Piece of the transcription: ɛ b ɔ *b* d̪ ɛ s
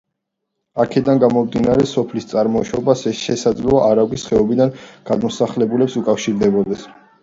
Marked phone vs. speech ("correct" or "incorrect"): incorrect